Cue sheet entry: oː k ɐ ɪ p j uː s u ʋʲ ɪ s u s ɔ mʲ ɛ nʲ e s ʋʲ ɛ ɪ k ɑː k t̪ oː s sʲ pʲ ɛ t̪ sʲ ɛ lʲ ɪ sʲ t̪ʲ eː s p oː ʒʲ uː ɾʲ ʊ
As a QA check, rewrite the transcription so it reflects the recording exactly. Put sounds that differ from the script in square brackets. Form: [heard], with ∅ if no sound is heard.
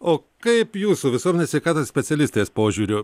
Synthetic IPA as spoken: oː k ɐ ɪ p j uː s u ʋʲ ɪ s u [∅] ɔ mʲ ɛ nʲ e s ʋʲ ɛ ɪ k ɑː [∅] t̪ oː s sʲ pʲ ɛ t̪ sʲ ɛ lʲ ɪ sʲ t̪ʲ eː s p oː ʒʲ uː ɾʲ ʊ